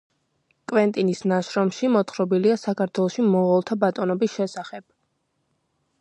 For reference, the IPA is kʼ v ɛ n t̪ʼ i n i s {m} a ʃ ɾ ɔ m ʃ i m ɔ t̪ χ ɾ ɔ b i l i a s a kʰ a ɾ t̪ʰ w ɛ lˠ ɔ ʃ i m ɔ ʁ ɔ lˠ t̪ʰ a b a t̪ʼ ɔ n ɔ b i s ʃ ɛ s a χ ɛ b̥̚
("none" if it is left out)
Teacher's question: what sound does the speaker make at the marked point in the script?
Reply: n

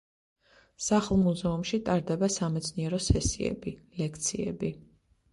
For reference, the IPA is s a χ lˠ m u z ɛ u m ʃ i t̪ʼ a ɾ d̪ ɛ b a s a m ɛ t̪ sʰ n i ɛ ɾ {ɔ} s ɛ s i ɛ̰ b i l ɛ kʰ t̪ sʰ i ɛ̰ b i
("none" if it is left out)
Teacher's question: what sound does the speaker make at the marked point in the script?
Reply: ɔ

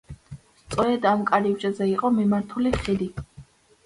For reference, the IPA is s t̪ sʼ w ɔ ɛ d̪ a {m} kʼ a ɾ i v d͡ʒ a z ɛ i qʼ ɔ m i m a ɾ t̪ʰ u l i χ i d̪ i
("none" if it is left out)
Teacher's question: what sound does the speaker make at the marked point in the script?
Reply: m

